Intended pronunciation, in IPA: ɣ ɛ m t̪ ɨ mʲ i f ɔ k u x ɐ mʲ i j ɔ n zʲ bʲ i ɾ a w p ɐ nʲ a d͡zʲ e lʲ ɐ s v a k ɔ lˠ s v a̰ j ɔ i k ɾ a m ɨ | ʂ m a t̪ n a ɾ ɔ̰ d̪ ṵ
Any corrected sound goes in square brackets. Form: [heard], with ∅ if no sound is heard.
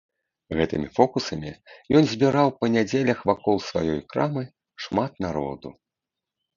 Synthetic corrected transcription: ɣ ɛ [∅] t̪ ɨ mʲ i f ɔ k u [s] ɐ mʲ i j ɔ n zʲ bʲ i ɾ a w p ɐ nʲ a d͡zʲ e lʲ ɐ [x] v a k ɔ lˠ s v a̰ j ɔ [j] k ɾ a m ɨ | ʂ m a t̪ n a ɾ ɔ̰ d̪ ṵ